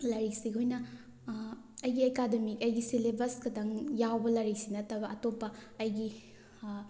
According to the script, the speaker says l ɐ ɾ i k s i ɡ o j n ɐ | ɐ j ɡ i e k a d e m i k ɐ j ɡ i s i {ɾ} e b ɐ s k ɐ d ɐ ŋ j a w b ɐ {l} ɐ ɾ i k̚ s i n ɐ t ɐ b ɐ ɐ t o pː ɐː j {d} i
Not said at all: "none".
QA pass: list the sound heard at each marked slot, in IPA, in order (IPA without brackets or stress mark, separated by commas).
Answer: l, l, ɡ